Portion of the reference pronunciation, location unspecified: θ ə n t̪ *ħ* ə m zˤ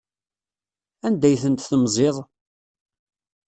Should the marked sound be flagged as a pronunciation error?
yes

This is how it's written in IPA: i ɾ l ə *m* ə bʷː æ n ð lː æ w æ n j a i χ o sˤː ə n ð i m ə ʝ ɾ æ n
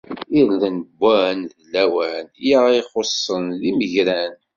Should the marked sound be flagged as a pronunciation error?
yes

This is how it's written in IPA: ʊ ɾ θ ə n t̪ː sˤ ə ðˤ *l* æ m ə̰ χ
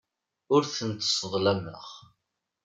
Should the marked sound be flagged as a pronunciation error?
no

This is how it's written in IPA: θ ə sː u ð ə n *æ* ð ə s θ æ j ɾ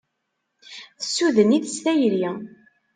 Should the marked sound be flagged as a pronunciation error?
yes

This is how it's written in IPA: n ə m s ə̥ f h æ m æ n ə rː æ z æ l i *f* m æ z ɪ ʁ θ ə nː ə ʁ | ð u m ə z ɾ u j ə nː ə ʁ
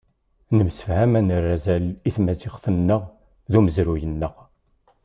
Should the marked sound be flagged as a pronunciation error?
yes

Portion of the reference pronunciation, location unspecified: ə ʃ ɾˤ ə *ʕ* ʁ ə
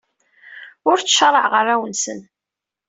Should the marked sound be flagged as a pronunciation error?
no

